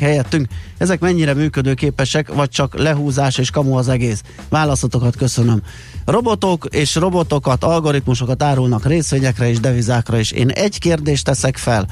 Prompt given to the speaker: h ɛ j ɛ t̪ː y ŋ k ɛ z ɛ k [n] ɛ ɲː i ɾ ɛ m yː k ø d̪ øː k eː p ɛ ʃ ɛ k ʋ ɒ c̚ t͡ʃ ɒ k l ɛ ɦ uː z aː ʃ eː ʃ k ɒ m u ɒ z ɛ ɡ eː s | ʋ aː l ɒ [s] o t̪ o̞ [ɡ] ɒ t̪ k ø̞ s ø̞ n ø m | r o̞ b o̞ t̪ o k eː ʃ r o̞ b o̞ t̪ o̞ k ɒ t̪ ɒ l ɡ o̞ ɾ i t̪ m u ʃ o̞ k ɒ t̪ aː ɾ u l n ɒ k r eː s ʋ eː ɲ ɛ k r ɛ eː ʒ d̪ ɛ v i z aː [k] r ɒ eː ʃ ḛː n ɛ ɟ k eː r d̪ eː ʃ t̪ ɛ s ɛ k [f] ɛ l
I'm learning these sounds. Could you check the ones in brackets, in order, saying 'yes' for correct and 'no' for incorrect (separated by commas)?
no, yes, no, yes, yes